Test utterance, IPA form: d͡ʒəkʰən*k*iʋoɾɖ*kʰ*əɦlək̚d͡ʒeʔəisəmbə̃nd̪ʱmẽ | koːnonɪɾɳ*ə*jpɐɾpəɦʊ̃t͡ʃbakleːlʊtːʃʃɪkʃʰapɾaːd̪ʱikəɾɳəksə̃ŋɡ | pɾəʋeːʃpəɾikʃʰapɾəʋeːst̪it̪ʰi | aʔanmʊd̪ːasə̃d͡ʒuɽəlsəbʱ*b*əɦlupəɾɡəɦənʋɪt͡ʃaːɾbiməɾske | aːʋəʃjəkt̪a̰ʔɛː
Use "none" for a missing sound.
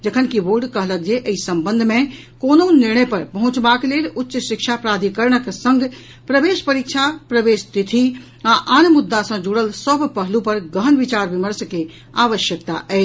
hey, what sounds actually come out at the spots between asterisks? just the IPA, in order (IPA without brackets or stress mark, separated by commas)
k, k, ə, p